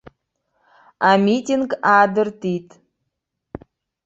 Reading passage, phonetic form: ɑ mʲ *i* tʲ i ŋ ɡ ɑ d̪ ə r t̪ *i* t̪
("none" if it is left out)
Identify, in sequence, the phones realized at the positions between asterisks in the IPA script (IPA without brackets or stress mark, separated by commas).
i, i